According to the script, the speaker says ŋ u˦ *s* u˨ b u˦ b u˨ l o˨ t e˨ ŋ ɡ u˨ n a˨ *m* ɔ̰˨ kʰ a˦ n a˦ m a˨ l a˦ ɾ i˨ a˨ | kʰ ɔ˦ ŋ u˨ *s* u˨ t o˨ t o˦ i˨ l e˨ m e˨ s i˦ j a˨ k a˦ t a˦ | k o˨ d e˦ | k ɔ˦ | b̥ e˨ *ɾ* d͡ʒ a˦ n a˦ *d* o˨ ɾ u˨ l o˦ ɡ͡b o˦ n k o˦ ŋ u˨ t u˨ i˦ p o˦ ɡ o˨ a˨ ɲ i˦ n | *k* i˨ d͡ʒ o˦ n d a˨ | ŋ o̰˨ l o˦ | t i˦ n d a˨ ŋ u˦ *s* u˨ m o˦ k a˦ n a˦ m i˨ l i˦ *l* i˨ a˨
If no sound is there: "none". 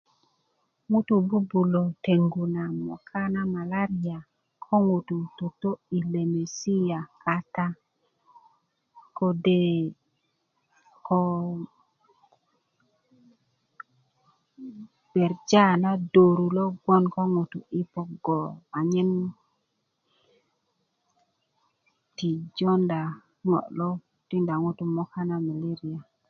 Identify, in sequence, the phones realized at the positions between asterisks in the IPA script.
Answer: t, m, t, ɾ, d, t, t, ɾ

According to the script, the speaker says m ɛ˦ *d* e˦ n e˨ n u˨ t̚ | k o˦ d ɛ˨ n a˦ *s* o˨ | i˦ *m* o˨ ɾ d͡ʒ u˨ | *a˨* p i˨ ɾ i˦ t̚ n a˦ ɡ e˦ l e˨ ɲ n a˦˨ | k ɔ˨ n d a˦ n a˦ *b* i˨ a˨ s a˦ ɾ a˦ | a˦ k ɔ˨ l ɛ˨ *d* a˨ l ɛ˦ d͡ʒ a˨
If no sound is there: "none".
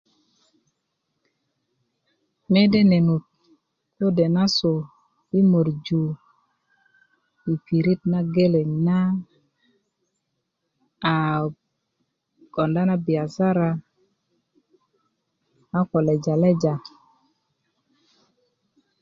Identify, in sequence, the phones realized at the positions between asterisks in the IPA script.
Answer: d, s, m, i˨, b, d͡ʒ

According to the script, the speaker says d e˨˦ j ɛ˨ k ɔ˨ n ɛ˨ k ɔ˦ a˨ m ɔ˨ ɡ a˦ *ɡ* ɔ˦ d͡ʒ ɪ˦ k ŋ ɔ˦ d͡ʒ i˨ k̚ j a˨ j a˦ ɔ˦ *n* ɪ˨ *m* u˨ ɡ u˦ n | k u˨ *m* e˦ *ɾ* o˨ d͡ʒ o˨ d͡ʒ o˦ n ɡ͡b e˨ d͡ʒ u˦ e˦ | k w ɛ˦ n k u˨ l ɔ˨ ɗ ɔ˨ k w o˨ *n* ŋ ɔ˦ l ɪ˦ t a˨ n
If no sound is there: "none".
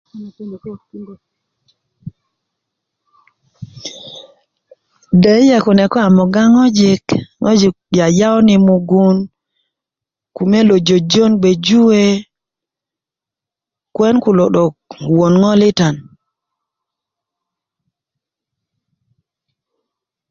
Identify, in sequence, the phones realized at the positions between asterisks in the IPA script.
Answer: ŋ, n, m, m, l, n

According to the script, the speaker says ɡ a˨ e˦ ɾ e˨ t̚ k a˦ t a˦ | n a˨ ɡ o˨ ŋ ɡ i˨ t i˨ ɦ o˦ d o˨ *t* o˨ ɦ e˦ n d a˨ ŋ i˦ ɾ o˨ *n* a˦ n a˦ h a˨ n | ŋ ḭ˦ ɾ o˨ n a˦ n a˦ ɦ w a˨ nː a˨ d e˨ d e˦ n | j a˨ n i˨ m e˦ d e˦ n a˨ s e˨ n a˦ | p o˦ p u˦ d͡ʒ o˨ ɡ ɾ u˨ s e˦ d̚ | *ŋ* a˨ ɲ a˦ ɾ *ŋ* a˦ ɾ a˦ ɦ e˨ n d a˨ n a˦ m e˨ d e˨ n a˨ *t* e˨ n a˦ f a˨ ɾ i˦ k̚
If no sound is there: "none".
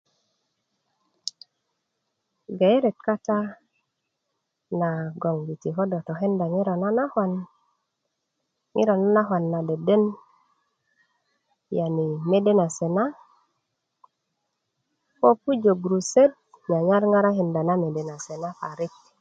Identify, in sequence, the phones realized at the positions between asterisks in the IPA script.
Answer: t, n, ɲ, ŋ, s

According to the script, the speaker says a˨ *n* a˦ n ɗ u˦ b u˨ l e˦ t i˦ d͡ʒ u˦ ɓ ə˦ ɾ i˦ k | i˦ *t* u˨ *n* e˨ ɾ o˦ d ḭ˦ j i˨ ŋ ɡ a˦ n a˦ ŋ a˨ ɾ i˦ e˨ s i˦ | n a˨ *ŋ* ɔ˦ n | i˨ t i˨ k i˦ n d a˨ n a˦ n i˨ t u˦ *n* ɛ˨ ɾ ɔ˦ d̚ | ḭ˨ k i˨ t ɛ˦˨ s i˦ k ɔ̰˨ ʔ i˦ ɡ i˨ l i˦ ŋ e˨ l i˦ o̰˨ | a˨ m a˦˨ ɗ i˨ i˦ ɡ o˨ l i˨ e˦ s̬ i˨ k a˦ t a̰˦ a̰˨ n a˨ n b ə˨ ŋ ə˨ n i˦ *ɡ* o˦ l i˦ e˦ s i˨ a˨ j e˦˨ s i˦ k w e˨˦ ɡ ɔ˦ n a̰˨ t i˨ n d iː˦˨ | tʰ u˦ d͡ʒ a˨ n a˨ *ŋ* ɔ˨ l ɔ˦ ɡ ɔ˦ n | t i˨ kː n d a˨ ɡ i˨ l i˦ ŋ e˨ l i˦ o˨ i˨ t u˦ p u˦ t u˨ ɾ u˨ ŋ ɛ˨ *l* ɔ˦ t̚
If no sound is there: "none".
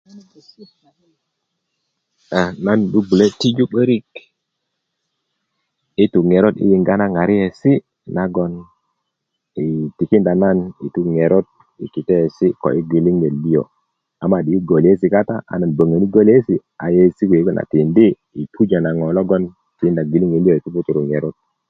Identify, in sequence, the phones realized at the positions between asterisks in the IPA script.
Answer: n, t, ŋ, ɡ, ŋ, ɡ, ŋ, ɾ

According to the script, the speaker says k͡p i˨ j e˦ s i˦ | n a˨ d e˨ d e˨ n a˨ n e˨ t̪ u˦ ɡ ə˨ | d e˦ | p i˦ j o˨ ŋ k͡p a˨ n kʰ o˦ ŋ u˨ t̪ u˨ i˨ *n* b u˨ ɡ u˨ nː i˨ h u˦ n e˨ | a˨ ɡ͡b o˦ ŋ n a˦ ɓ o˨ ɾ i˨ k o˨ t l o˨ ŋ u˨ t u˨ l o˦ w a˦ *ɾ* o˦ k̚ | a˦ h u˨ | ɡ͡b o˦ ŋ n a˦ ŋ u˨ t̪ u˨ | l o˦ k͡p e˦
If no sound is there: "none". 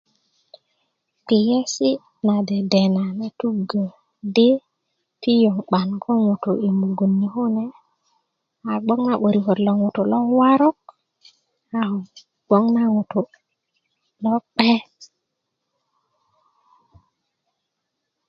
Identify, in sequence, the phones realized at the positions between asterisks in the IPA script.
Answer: m, ɾ

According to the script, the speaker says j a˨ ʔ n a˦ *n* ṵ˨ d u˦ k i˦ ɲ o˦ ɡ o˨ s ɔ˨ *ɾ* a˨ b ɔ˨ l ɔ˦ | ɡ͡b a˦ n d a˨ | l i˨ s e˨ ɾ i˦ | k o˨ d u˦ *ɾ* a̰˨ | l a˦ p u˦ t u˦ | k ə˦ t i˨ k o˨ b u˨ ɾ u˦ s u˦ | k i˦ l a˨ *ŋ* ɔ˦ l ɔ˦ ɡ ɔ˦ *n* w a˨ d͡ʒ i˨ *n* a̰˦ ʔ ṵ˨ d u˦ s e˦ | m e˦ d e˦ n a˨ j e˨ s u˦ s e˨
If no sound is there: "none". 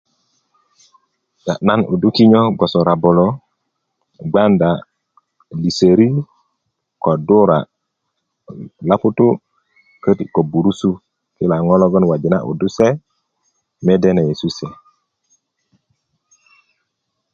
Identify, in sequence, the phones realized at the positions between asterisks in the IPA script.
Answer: n, ɾ, ɾ, ŋ, n, n

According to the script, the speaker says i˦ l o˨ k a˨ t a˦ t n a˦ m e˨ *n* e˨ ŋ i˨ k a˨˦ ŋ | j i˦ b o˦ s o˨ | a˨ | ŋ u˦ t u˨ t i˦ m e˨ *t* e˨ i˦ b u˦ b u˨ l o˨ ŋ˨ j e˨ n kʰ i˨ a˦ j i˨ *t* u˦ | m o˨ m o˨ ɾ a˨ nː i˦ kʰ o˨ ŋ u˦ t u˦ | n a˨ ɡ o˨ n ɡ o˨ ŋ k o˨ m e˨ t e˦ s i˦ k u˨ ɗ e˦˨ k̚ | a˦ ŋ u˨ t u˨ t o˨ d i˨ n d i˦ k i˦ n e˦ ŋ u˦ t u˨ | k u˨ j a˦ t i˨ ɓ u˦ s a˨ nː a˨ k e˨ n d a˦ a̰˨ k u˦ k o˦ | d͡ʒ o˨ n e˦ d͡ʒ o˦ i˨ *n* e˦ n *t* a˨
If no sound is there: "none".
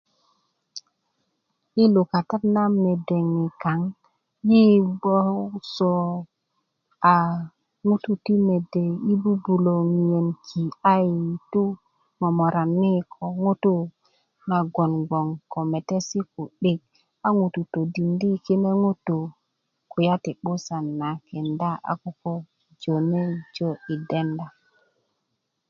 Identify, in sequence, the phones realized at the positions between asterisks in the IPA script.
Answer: d, d, t, d, d

